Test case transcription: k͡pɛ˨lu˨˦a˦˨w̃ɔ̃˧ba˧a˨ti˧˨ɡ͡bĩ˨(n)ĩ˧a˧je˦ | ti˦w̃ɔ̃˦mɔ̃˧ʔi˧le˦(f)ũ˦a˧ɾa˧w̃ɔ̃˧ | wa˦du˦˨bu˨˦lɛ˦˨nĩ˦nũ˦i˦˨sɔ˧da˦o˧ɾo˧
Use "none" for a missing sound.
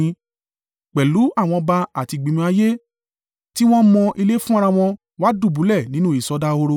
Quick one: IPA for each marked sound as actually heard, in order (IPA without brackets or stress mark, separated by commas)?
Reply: m, f